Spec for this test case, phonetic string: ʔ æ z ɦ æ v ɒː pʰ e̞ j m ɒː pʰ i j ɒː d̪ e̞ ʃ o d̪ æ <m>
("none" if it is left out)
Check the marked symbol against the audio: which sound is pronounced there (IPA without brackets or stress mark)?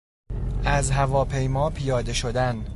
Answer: n